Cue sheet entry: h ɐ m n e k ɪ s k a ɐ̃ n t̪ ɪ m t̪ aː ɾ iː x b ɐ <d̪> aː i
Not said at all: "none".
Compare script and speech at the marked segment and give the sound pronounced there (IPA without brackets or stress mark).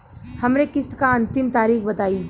t̪